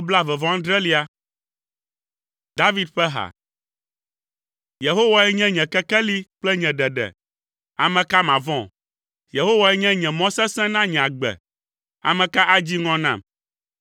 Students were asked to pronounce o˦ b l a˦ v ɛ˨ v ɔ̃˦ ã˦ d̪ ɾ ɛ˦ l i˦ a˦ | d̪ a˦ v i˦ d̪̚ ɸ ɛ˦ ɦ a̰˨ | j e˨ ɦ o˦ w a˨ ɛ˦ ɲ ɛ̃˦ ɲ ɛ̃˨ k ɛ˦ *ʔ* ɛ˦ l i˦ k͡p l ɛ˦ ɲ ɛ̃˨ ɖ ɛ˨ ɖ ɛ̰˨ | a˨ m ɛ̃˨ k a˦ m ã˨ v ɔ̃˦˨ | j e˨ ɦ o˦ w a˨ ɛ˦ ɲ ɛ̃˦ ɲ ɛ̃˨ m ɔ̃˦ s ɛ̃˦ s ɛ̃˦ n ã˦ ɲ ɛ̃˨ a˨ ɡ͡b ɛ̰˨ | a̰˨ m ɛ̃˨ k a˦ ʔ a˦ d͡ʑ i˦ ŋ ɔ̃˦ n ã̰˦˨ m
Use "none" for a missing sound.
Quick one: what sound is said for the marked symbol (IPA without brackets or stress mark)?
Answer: k